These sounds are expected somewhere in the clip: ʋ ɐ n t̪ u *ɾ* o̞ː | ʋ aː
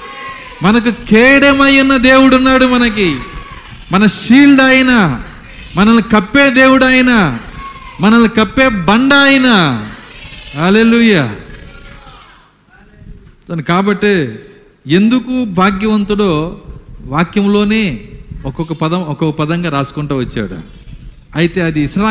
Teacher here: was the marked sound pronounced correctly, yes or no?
no